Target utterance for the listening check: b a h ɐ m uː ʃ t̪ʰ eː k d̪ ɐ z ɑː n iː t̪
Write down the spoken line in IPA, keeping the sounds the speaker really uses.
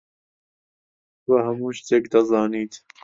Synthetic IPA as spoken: w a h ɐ m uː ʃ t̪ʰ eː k d̪ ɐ z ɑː n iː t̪